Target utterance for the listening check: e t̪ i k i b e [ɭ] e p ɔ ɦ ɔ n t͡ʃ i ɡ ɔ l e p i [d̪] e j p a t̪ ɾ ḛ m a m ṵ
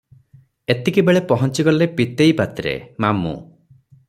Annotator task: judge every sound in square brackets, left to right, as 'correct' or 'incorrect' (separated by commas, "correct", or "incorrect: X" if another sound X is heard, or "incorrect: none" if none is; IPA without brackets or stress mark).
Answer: correct, incorrect: t̪